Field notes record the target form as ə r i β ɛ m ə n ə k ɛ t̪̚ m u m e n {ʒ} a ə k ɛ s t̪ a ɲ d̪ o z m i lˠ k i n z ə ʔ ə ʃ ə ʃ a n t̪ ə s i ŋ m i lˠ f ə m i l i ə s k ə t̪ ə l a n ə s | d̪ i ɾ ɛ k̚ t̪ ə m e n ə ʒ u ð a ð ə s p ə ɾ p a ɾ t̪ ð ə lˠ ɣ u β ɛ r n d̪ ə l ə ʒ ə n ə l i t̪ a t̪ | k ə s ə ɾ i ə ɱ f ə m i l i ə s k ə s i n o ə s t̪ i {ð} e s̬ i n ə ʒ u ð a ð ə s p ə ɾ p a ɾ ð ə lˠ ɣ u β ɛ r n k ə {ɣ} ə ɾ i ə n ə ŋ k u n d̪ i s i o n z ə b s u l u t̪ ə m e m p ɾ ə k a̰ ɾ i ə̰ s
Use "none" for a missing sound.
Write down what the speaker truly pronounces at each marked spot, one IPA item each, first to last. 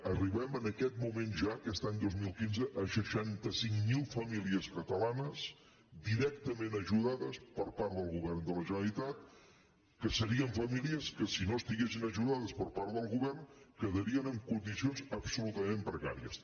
ʒ, ɣ, ð

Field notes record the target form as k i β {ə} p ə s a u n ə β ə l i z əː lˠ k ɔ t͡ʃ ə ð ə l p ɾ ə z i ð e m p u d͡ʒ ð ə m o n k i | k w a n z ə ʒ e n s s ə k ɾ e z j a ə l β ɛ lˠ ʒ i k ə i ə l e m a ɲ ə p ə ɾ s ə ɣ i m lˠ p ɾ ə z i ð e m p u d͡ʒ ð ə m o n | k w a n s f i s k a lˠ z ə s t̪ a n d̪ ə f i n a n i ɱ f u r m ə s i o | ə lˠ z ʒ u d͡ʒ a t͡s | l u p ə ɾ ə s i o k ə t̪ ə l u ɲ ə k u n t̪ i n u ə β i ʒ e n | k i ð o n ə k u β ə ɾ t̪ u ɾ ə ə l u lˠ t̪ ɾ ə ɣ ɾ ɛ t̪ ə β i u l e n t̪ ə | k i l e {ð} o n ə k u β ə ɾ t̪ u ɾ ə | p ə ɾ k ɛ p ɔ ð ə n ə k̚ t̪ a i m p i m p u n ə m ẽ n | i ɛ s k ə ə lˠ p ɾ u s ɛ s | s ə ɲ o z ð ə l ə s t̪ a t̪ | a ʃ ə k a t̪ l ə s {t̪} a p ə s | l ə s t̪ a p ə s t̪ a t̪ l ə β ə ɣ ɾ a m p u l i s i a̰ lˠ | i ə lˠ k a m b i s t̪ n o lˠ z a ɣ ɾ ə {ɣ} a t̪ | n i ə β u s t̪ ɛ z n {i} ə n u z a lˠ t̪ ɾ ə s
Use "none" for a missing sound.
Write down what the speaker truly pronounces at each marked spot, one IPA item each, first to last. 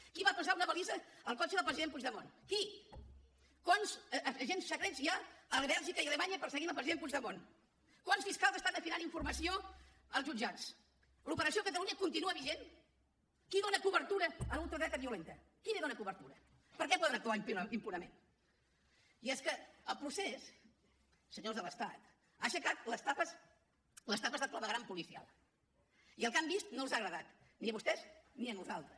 a, ð, t̪, ð, i

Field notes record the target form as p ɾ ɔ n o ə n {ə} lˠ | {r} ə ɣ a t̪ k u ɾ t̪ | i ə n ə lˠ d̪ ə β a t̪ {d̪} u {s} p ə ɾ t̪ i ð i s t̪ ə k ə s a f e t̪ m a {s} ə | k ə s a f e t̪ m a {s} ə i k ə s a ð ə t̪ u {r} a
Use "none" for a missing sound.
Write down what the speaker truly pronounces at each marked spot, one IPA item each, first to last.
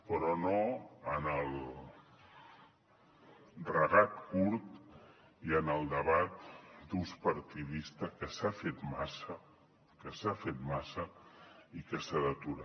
ə, r, d̪, s, s, s, ɾ

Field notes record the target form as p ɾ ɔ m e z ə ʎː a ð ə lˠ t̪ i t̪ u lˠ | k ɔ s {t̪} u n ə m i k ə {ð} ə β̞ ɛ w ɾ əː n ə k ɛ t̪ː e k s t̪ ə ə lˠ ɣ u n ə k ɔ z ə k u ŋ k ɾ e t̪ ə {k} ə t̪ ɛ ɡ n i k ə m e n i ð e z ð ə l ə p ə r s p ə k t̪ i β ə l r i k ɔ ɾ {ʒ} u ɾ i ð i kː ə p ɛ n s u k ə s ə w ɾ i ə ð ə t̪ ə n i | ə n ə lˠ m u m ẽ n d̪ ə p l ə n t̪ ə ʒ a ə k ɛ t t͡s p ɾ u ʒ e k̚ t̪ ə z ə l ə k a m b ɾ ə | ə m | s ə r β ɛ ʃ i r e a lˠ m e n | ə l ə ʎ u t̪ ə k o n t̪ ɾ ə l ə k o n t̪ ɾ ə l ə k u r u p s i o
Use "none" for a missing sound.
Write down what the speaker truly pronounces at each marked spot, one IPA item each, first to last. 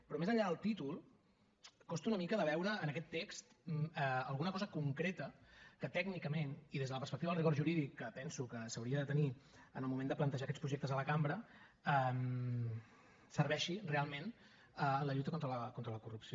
t̪, ð, k, ʒ

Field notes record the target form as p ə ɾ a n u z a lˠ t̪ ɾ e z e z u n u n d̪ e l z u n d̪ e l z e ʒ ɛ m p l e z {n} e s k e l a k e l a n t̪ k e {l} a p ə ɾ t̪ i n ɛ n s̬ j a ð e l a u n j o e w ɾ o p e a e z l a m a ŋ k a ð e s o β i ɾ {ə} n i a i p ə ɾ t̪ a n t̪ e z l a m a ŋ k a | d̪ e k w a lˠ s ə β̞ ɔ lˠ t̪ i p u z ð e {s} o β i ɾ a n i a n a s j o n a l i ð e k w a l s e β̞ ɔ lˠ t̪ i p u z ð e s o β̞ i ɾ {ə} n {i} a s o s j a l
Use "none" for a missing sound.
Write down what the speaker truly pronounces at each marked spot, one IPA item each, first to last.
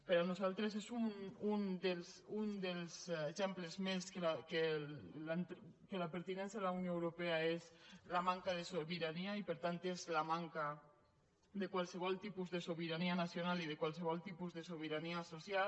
m, l, a, s, a, i

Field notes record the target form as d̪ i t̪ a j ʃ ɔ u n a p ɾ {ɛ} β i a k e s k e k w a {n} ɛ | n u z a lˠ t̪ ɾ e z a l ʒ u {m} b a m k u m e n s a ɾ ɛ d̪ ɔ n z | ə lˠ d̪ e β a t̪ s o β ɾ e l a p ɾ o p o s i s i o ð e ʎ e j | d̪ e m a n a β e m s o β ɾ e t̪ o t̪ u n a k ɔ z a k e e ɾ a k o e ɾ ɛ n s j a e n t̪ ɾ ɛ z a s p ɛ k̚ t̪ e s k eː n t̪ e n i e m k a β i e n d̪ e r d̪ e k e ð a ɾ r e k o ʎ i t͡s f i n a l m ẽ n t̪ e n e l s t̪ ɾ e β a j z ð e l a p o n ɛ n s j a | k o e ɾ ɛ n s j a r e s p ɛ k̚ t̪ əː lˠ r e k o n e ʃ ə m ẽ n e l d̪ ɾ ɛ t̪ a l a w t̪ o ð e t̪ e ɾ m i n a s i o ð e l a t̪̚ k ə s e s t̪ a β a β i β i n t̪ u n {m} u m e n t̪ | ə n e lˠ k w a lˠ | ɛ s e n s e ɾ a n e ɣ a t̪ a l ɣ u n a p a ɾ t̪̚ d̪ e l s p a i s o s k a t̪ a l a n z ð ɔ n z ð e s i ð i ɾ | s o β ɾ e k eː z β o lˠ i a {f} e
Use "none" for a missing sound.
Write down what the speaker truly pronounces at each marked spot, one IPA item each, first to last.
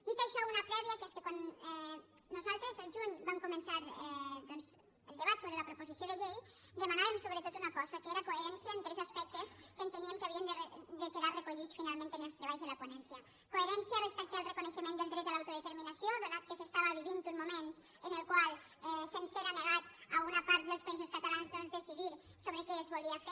ɛ, n, ɲ, m, f

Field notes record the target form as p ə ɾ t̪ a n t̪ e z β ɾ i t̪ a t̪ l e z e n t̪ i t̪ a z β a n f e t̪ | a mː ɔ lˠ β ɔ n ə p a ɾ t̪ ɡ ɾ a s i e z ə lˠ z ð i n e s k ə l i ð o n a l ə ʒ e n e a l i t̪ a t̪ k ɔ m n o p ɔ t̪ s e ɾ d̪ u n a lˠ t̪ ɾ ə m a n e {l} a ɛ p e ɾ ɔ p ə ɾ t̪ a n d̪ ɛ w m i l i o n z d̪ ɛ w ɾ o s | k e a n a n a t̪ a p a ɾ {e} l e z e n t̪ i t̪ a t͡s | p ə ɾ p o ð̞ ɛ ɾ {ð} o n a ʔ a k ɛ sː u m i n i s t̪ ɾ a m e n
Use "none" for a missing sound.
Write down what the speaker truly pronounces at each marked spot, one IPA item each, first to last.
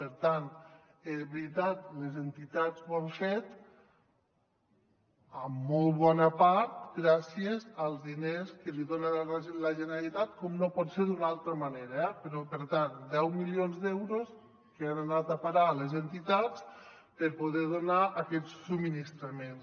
ɾ, a, ð

